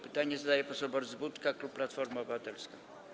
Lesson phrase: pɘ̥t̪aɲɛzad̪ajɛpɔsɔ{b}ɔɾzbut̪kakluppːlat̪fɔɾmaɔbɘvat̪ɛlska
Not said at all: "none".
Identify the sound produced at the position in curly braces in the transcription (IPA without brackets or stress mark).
b